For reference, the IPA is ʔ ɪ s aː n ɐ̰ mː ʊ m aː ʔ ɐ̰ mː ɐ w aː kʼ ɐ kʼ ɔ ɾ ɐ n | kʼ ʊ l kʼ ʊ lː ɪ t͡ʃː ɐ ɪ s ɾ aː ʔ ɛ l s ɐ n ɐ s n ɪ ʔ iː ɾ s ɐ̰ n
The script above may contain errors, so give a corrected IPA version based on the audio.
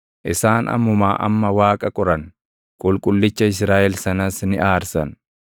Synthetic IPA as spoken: ʔ ɪ s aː n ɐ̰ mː ʊ m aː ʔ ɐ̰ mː ɐ w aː kʼ ɐ kʼ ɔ ɾ ɐ n | kʼ ʊ l kʼ ʊ lː ɪ t͡ʃː ɐ ɪ s ɾ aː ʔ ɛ l s ɐ n ɐ s n ɪ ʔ aː ɾ s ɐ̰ n